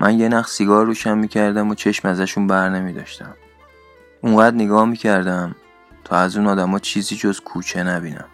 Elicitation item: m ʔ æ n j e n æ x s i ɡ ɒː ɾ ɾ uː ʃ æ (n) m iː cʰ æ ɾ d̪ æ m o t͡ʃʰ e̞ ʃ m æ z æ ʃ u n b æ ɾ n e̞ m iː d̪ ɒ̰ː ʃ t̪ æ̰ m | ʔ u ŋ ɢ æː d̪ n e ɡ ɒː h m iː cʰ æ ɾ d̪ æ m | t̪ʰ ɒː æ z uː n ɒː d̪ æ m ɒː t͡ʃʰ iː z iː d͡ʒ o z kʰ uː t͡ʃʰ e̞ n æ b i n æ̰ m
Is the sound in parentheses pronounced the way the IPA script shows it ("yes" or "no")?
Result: yes